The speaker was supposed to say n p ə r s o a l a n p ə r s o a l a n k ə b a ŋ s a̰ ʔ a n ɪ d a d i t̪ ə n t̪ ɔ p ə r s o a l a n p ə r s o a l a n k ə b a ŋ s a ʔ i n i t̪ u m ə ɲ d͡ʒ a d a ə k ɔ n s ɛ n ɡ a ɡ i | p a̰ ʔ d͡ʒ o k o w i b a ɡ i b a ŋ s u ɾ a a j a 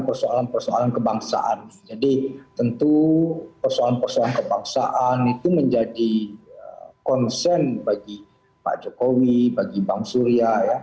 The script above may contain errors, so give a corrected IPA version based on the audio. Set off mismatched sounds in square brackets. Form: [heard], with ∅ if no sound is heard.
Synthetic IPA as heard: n p ə r s o a l a n p ə r s o a l a n k ə b a ŋ s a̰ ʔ a n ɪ [d͡ʒ] a d i t̪ ə n t̪ [u] p ə r s o a l a n p ə r s o a l a n k ə b a ŋ s a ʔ [a] n i t̪ u m ə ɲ d͡ʒ a d [i] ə k ɔ n s ɛ n [b] a ɡ i | p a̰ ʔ d͡ʒ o k o w i b a ɡ i b a ŋ s u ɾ [i] a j a